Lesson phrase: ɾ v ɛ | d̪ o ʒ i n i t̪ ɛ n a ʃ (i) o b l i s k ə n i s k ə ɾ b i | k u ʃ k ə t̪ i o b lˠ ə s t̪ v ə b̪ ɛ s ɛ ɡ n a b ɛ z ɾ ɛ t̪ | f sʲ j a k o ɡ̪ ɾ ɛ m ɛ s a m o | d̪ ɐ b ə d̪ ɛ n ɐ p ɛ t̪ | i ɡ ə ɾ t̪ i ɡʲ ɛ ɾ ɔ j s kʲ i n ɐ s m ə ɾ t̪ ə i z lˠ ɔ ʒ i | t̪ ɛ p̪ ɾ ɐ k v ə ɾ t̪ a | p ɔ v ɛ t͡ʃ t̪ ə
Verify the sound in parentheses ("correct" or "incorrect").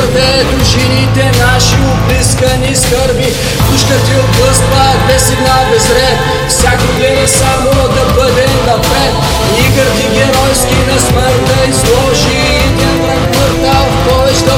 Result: correct